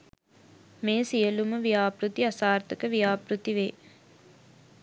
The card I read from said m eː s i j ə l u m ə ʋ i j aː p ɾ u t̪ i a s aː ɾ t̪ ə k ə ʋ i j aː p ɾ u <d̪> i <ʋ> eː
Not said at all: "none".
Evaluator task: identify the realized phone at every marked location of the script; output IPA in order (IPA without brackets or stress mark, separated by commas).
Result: t̪, ʋ